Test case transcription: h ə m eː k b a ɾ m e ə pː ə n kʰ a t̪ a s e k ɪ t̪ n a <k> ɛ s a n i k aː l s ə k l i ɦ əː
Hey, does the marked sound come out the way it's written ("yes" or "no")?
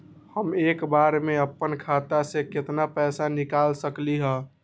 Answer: no